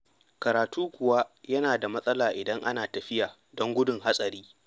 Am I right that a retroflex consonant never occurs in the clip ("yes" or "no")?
yes